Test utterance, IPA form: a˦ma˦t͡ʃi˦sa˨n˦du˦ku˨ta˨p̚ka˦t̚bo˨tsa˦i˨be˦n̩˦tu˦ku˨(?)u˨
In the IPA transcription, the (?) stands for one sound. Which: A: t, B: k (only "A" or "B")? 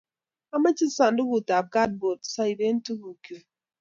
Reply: B